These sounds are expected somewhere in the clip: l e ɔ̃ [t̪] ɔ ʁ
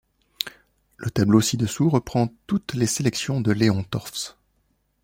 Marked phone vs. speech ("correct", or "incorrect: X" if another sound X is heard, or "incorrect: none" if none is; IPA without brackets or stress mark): correct